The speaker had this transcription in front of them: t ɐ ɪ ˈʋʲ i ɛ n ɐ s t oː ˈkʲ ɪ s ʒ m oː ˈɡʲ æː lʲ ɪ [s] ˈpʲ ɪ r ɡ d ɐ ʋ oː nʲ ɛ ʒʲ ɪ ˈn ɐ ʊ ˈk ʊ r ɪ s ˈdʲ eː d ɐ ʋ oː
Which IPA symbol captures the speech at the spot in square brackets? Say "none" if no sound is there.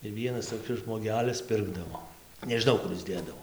s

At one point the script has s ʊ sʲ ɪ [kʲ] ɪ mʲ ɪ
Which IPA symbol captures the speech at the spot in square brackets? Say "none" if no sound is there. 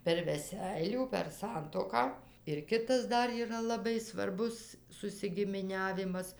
ɡʲ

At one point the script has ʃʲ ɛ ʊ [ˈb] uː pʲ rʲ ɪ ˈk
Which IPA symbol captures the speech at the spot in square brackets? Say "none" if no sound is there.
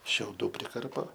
d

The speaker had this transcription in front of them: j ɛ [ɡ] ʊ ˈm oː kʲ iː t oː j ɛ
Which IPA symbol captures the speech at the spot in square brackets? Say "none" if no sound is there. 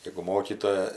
ɡ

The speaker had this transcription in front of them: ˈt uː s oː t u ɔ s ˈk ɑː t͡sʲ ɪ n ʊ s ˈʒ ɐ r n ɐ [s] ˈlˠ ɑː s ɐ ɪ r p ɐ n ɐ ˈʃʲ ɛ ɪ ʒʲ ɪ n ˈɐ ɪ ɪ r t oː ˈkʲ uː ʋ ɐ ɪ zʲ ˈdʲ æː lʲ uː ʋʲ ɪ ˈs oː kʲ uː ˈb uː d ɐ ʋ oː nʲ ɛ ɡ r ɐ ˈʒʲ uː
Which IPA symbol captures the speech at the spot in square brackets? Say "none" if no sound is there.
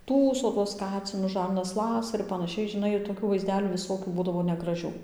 s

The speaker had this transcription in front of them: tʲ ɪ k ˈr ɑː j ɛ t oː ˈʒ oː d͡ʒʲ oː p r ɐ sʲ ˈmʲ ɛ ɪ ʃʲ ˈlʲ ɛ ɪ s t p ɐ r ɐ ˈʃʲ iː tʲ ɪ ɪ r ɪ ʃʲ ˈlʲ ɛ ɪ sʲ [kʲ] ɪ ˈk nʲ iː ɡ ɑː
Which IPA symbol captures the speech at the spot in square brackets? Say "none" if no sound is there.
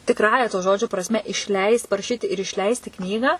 tʲ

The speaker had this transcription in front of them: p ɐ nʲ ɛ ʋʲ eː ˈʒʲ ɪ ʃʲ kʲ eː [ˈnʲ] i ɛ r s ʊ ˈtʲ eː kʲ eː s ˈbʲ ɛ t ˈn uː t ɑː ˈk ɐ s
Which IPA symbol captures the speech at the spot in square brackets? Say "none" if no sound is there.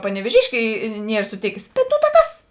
nʲ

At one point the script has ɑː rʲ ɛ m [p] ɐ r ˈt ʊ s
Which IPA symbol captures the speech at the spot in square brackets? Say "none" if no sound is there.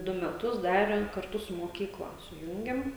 k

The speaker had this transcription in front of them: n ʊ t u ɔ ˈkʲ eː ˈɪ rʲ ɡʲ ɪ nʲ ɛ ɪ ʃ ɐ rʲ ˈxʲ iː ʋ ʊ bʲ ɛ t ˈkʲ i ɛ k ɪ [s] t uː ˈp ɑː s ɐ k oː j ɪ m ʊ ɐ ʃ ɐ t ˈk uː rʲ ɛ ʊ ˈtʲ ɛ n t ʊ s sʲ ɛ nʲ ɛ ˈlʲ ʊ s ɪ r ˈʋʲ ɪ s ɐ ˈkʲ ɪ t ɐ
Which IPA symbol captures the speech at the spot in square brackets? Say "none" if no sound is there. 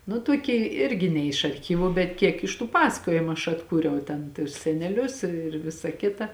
ʃ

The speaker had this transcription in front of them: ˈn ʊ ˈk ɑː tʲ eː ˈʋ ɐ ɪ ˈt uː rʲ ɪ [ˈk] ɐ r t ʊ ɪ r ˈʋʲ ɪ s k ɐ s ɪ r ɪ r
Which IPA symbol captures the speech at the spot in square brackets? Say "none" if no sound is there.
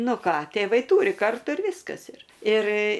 k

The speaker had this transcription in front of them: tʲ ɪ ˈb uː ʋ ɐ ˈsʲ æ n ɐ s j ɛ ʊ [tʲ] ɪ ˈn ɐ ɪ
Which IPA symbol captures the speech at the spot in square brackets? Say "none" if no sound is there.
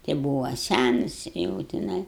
tʲ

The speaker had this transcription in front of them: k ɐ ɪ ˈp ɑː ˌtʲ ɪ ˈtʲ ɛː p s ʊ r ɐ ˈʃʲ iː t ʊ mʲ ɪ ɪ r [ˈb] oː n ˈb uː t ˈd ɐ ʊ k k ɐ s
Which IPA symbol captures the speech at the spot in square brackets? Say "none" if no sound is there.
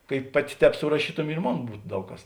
m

